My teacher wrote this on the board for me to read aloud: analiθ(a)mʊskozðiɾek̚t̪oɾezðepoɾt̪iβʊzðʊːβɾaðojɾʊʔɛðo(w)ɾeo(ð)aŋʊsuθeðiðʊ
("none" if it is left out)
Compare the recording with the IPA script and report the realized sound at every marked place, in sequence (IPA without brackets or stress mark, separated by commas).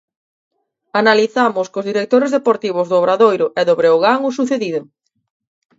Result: a, β, ɣ